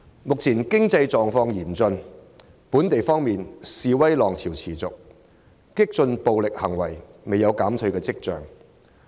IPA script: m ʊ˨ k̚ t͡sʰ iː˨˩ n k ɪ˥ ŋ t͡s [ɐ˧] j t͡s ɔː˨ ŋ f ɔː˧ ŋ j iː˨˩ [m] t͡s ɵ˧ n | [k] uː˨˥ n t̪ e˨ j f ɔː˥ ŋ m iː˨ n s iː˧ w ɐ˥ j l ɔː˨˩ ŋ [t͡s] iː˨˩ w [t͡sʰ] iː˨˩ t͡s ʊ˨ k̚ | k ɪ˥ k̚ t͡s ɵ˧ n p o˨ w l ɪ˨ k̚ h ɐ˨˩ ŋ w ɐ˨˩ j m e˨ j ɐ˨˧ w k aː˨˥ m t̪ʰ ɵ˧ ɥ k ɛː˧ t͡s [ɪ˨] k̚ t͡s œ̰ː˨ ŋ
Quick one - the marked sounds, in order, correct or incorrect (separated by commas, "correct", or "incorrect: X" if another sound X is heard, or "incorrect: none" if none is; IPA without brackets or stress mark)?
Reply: correct, correct, incorrect: p, incorrect: t͡sʰ, correct, incorrect: ɪ˥